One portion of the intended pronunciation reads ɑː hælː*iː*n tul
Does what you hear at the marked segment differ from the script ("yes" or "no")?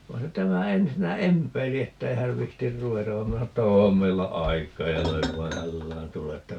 yes